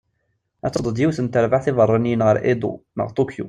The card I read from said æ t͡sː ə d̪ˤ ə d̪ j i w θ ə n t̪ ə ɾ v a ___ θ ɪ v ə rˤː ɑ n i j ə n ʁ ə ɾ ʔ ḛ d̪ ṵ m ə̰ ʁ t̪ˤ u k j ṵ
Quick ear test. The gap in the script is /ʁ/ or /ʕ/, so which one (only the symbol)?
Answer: ʕ